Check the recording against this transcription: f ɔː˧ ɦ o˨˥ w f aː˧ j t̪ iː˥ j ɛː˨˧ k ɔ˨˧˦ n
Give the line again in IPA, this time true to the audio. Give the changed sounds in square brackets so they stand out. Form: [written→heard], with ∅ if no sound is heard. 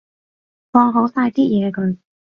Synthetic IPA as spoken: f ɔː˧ ɦ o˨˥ w [f→s] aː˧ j t̪ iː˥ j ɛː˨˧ k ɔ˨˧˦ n